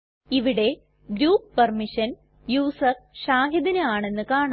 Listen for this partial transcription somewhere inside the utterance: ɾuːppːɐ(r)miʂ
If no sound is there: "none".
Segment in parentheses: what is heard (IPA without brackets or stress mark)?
r